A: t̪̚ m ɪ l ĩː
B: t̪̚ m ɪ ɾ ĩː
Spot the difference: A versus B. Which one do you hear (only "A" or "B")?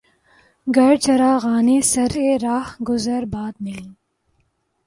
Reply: A